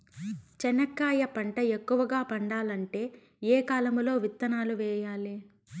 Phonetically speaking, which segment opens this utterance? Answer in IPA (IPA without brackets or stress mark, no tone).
t͡ʃ